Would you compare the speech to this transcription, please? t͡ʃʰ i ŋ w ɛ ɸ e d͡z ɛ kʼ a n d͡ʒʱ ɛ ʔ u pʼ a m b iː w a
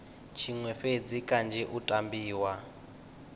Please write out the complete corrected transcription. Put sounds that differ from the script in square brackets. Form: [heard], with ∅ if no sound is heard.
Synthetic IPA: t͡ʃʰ i ŋ w ɛ ɸ e d͡z [i] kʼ a n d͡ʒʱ ɛ ʔ u [tʼ] a m b iː w a